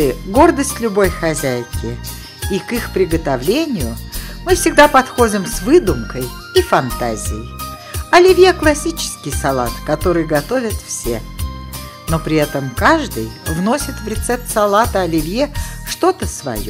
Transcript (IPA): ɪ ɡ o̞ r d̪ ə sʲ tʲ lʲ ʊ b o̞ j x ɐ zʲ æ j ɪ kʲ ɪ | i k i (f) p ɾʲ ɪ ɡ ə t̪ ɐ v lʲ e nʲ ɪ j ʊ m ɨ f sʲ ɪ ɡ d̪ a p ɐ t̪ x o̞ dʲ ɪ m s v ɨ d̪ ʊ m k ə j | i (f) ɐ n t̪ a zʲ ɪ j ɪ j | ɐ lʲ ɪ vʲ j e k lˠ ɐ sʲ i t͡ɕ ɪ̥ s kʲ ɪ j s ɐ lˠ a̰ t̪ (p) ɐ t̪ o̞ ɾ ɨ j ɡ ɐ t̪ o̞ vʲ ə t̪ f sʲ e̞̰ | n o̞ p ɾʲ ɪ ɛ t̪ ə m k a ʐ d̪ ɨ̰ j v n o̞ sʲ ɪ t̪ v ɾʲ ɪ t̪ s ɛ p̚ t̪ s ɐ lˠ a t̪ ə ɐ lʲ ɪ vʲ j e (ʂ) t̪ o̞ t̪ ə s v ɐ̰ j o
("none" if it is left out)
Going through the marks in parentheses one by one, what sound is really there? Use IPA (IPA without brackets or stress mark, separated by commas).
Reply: x, f, k, ʂ